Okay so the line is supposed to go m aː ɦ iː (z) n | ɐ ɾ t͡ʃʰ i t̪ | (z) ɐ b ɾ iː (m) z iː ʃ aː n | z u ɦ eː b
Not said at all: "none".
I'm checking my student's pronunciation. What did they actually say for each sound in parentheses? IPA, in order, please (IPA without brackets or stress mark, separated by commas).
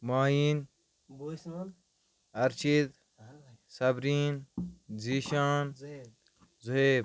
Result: none, s, n